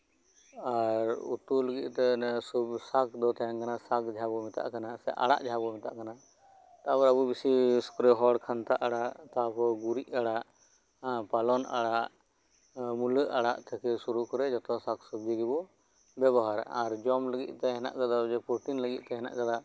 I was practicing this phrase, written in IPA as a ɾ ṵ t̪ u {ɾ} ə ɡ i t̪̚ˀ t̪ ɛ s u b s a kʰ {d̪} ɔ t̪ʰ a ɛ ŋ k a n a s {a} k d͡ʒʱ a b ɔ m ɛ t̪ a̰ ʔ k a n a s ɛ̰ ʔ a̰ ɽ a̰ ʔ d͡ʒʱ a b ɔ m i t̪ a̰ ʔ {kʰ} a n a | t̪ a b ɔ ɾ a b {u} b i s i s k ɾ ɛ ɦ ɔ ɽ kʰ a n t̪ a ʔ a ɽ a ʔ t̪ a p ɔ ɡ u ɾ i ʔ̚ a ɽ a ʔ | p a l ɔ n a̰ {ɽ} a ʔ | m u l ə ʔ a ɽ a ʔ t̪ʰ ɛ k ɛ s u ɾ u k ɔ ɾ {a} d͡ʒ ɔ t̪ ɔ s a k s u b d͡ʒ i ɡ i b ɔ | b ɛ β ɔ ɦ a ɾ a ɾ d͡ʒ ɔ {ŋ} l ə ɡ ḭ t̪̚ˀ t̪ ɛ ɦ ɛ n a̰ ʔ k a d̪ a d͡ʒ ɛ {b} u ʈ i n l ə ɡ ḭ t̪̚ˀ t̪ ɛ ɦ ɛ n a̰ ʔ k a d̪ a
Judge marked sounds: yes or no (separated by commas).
no, yes, yes, no, yes, yes, no, no, no